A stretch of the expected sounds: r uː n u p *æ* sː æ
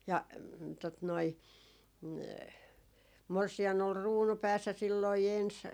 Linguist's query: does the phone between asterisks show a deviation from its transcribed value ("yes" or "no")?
yes